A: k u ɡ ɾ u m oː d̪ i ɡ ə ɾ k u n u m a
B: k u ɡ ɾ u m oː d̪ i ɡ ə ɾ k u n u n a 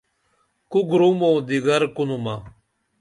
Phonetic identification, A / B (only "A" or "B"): A